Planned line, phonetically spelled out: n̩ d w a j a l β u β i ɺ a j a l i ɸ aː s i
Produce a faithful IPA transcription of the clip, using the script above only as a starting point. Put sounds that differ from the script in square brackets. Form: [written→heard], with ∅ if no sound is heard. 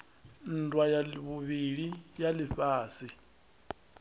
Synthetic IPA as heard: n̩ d w a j a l β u β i ɺ [a→i] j a l i ɸ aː s i

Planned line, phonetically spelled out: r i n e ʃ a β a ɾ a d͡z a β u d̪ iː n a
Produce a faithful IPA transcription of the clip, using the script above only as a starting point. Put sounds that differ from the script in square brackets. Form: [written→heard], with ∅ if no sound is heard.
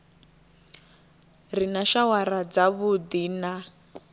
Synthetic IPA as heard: r i n [e→a] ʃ a [β→w] a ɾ a d͡z a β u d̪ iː n a

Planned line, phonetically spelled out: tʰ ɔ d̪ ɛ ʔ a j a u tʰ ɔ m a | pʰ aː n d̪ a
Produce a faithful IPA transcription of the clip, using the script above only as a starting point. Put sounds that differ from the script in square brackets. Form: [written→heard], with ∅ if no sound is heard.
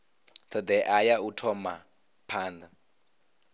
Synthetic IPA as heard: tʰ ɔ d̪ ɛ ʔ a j a u tʰ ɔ m a | pʰ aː n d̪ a

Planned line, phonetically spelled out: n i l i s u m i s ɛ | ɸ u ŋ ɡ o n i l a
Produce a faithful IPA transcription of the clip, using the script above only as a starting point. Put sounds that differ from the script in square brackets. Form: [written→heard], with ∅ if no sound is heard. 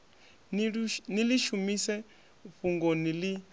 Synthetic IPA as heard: n i l i [s→ʃ] u m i s ɛ | ɸ u ŋ ɡ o n i l [a→i]

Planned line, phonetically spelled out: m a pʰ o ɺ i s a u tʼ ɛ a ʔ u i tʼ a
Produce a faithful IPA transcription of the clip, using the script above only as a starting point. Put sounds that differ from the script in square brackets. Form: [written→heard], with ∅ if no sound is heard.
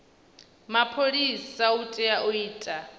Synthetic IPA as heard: m a pʰ o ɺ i s a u tʼ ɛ a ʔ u [i→iː] tʼ a

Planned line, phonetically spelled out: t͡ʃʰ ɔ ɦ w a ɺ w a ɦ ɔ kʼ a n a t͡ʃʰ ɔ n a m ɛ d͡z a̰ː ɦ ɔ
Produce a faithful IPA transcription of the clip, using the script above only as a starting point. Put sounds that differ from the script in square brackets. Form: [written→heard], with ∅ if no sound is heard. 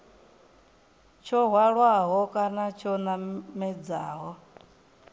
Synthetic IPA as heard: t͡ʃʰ ɔ ɦ w a ɺ w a ɦ ɔ kʼ a n a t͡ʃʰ ɔ n a m ɛ d͡z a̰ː ɦ ɔ

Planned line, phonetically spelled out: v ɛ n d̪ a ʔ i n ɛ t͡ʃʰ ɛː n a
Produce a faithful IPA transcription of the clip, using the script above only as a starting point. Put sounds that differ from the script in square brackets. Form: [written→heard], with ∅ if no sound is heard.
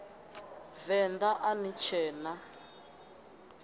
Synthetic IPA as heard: v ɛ n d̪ a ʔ [i→a] n [ɛ→i] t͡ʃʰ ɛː n a

